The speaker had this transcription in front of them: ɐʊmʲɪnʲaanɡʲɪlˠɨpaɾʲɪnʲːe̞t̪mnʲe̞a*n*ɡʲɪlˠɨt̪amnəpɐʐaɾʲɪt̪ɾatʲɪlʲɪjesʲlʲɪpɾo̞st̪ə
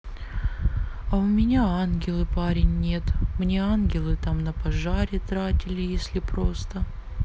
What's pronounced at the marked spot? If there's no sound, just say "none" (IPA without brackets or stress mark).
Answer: n